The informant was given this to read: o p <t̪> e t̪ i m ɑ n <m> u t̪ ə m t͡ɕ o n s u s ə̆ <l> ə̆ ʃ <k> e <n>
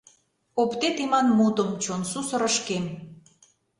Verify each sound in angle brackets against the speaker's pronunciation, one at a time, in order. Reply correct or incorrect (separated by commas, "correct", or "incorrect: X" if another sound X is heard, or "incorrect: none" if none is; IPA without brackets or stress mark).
correct, correct, incorrect: ɾ, correct, incorrect: m